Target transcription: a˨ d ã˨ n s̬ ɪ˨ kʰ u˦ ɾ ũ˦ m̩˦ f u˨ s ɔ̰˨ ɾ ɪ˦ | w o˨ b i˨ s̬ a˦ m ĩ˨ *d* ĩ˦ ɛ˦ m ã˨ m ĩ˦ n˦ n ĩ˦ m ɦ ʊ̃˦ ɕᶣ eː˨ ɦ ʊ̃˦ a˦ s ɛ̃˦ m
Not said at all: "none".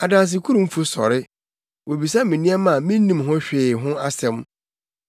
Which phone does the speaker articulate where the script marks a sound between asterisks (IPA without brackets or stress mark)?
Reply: n